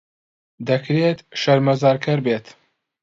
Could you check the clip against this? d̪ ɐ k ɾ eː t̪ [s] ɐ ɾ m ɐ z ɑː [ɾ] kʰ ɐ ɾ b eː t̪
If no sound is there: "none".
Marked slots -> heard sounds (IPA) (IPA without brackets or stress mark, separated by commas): ʃ, ɾ